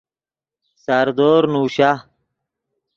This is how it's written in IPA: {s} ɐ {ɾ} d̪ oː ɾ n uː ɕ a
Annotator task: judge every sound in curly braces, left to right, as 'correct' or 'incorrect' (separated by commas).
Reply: correct, correct